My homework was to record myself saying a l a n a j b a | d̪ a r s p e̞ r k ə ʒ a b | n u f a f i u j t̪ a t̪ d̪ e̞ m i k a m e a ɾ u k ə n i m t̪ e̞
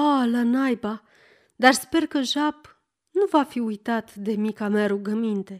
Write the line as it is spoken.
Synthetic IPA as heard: a l a n a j b a | d̪ a r s p e̞ r k ə ʒ a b | n u v a f i u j t̪ a t̪ d̪ e̞ m i k a m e a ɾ u ɡ ə m i n t̪ e̞